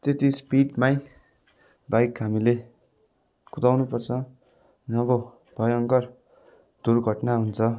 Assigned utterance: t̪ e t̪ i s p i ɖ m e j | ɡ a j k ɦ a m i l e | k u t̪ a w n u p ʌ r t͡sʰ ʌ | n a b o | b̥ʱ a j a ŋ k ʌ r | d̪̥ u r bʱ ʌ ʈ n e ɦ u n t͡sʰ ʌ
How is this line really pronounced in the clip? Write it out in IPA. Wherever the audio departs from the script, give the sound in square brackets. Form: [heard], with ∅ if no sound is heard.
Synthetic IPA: t̪ e t̪ i s p i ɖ m [a] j | [b] a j k ɦ a m i l e | k u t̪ a w n u p ʌ r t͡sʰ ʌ | n [ʌ] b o | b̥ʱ [ʌ] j [ʌ] ŋ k ʌ r | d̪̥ u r [ɡʱ] ʌ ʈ n [a] ɦ u n t͡sʰ ʌ